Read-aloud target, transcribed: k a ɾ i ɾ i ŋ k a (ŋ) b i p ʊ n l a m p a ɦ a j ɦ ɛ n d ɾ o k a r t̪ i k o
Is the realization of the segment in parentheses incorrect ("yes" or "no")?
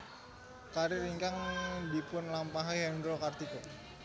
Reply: no